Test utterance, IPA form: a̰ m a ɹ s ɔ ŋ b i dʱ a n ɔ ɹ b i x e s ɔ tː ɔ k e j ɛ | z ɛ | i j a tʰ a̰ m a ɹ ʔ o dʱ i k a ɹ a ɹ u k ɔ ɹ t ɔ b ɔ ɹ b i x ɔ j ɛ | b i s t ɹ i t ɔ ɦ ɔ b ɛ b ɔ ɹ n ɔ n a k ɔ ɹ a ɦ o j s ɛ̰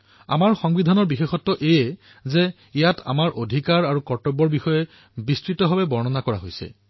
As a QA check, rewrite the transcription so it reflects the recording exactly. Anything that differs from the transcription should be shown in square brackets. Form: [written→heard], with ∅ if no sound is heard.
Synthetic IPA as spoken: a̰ m a ɹ [s→x] ɔ ŋ b i dʱ a n ɔ ɹ b i x e [s→x] ɔ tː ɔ [k→ʔ] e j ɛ | z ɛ | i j a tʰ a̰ m a ɹ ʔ o dʱ i k a ɹ a ɹ u k ɔ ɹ t ɔ b ɔ ɹ b i x ɔ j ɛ | b i s t ɹ i t ɔ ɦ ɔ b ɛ b ɔ ɹ n ɔ n a k ɔ ɹ a ɦ o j s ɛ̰